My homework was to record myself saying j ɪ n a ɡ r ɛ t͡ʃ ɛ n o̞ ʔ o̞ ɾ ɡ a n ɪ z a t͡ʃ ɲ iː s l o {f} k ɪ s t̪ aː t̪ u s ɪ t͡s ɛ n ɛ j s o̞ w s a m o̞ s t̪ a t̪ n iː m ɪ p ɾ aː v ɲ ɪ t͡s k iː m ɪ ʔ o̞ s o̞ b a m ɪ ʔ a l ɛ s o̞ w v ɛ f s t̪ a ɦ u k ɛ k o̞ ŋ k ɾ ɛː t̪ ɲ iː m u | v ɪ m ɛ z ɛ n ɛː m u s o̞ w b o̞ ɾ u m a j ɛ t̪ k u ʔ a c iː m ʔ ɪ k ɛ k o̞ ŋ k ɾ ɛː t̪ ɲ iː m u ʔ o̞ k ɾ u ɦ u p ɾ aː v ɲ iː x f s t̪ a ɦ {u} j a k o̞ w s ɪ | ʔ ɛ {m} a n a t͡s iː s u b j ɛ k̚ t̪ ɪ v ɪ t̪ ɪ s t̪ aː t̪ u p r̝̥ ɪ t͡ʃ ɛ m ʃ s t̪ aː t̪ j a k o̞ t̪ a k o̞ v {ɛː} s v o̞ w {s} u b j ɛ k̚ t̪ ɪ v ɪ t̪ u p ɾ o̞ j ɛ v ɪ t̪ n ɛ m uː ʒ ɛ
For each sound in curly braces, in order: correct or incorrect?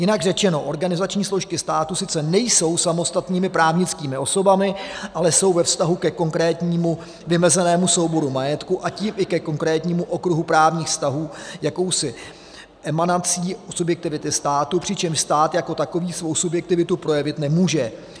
incorrect: ʃ, incorrect: uː, correct, incorrect: iː, correct

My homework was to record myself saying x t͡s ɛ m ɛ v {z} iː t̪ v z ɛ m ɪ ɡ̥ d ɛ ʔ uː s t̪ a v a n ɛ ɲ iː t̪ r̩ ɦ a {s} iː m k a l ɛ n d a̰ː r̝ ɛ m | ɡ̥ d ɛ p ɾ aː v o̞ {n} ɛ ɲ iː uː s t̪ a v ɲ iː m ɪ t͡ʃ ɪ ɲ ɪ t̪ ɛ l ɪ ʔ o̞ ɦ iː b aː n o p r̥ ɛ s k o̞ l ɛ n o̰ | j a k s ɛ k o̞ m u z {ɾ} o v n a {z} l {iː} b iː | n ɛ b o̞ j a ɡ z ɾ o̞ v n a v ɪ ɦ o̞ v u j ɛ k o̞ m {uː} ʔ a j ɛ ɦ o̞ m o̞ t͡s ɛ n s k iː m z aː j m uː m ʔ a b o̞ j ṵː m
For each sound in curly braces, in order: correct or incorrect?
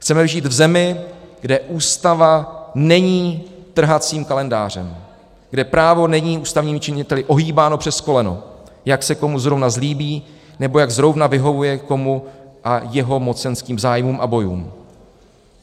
incorrect: ʒ, incorrect: t͡s, correct, correct, correct, correct, incorrect: u

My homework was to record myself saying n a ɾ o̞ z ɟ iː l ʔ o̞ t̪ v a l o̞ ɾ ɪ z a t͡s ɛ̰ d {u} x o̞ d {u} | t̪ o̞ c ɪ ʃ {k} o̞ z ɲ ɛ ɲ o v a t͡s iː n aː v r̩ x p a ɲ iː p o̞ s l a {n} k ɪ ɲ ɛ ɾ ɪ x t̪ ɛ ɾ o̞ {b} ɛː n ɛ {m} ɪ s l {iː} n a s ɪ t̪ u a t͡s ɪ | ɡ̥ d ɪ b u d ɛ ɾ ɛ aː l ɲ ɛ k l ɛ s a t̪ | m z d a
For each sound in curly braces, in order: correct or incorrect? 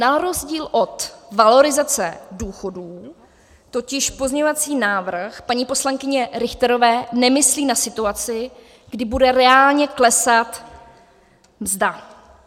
incorrect: uː, incorrect: uː, incorrect: p, incorrect: ŋ, incorrect: v, correct, correct

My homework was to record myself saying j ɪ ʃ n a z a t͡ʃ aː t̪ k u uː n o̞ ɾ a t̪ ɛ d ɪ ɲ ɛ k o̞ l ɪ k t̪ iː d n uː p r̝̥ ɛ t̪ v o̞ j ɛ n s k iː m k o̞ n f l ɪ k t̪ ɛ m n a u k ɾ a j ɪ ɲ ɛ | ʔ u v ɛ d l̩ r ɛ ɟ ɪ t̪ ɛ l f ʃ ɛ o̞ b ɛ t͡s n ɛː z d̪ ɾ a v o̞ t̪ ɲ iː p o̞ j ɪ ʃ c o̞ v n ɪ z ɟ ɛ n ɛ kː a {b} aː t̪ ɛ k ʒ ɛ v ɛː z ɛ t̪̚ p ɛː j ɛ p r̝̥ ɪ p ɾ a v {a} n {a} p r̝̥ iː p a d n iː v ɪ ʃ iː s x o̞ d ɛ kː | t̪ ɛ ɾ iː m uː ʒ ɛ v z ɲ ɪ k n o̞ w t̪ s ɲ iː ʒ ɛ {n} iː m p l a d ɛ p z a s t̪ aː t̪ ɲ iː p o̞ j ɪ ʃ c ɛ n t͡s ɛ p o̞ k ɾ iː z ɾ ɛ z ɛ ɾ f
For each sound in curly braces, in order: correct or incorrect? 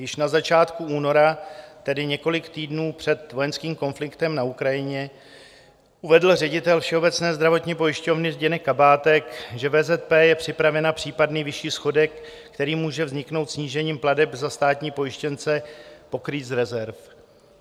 correct, incorrect: ɛ, correct, incorrect: ɲ

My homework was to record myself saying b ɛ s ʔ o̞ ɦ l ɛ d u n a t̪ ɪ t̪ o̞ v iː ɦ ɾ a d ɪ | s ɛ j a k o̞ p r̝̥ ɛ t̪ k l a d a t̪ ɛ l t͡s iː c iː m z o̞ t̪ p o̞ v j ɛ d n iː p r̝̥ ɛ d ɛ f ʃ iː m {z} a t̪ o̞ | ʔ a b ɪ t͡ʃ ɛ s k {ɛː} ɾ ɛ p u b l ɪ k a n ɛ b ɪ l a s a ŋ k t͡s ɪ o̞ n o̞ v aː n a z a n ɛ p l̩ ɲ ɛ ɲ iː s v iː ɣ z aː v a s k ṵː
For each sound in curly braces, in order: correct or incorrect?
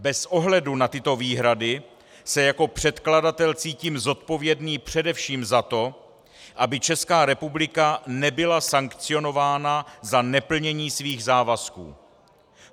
correct, incorrect: aː

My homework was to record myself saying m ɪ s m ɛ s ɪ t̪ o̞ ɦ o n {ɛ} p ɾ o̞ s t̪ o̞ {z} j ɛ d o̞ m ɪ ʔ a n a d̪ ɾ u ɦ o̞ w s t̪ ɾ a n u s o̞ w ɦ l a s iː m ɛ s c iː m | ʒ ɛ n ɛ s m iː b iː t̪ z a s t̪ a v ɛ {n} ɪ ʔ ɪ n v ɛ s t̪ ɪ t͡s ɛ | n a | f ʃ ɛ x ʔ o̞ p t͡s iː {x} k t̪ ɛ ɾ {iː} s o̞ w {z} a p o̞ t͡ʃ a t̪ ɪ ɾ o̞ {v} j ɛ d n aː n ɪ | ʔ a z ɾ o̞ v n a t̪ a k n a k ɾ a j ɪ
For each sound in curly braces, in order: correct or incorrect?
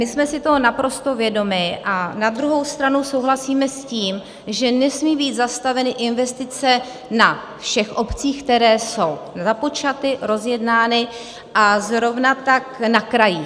incorrect: a, incorrect: v, correct, correct, incorrect: ɛː, correct, incorrect: z

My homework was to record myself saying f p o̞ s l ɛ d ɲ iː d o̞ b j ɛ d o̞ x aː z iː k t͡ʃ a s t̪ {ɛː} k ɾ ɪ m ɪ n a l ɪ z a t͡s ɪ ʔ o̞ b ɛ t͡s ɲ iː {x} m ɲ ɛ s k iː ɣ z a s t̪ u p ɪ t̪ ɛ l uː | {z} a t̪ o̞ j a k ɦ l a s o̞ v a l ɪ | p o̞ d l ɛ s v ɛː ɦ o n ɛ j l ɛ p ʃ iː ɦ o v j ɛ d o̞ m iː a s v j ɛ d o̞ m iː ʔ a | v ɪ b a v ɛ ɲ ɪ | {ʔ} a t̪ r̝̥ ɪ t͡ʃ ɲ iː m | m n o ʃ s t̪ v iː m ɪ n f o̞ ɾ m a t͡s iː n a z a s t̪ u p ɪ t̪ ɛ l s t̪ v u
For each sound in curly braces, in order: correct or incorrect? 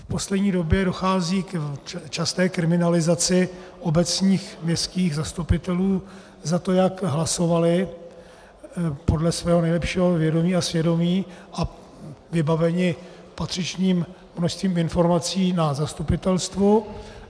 correct, correct, correct, incorrect: p

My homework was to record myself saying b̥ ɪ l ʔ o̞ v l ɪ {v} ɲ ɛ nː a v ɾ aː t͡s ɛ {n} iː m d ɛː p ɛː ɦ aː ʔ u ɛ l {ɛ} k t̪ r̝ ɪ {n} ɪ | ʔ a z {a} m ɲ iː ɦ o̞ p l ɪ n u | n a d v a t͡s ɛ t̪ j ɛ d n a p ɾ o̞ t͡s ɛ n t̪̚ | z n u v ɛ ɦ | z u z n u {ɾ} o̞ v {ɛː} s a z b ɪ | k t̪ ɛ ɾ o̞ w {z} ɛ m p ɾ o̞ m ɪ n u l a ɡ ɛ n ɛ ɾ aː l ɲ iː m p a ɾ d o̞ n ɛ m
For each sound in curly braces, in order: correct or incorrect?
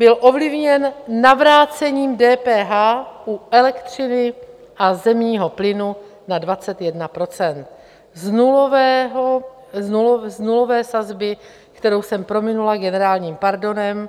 correct, incorrect: ɲ, correct, correct, incorrect: ɛ, incorrect: l, correct, incorrect: s

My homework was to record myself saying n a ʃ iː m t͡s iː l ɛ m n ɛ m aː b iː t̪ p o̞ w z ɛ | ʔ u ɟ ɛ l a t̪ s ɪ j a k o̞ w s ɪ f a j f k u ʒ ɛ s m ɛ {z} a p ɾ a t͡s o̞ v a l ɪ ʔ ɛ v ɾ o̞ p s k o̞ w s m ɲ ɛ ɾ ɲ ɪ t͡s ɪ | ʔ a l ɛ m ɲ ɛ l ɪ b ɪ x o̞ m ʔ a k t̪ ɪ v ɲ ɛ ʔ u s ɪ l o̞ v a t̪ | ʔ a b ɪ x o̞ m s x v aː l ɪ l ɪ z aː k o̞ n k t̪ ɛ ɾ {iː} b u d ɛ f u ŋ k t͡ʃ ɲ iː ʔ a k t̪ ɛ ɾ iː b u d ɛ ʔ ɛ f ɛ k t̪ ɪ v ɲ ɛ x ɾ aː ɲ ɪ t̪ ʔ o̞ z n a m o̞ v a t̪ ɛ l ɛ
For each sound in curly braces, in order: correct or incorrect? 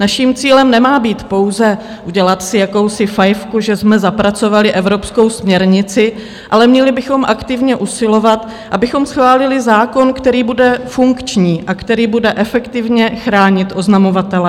correct, correct

